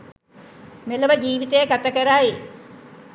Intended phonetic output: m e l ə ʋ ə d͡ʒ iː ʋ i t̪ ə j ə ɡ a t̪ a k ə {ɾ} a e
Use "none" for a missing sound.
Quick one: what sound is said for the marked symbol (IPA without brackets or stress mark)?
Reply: ɾ